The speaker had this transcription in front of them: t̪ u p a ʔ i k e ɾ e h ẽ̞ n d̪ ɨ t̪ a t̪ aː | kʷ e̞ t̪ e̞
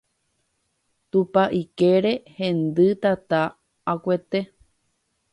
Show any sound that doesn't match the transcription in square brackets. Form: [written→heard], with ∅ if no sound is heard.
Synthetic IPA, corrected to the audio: t̪ u p a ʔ i k e ɾ e h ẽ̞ n d̪ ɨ t̪ a t̪ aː | kʷ e̞ t̪ e̞